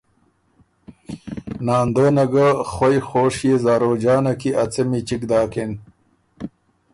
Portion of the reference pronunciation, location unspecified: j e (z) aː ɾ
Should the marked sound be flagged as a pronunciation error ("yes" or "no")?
no